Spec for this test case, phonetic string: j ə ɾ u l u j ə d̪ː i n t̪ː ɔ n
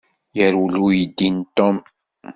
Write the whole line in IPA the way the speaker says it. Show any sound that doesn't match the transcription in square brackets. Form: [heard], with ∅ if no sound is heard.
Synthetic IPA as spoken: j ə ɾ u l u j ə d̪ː i n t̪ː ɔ [m]